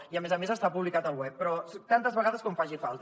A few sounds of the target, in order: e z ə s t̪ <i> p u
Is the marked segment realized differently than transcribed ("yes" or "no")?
yes